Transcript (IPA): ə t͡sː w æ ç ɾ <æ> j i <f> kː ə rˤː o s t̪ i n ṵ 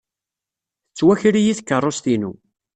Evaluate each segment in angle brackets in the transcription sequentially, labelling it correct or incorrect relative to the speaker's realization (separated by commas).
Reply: incorrect, incorrect